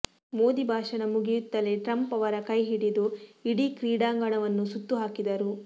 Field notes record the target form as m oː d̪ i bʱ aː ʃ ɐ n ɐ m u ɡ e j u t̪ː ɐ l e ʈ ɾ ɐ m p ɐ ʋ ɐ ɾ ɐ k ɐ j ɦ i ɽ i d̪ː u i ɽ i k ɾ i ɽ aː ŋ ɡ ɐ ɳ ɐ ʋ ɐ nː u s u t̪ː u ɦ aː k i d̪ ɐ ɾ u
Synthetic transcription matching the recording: m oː d̪ i bʱ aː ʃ ɐ n ɐ m u ɡ i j u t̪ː ɐ l e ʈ ɾ ɐ m p ɐ ʋ ɐ ɾ ɐ k ɐ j ɦ i ɽ i d̪ u i ɽ i k ɾ iː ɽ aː ŋ ɡ ɐ ɳ ɐ ʋ ɐ nː u s u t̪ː u ɦ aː k i d̪ ɐ ɾ u